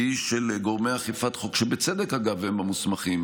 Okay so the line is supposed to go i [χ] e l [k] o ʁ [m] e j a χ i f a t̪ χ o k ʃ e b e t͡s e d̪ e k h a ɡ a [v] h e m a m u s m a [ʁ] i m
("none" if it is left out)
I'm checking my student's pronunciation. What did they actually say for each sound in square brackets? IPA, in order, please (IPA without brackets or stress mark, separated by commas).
ʃ, ɡ, m, v, χ